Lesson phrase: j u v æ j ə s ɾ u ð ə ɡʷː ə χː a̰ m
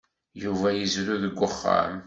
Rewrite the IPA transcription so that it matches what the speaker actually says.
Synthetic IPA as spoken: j u v æ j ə z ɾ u ð ə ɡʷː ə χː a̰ m